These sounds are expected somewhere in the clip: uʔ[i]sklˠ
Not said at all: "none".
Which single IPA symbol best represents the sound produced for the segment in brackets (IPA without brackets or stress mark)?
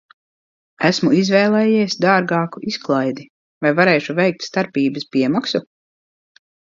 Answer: i